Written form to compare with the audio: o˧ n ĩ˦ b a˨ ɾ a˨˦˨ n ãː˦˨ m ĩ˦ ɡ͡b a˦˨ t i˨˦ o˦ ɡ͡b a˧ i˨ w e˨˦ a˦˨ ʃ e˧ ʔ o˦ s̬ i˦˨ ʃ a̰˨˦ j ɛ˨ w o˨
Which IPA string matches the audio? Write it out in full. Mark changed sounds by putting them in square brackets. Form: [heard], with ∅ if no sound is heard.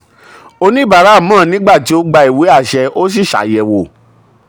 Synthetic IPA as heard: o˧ n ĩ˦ b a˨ ɾ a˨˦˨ [m] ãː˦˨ [n] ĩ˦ ɡ͡b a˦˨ t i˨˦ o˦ ɡ͡b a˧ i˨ w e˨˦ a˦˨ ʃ [ɛ˧] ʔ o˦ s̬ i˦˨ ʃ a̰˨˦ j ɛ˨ w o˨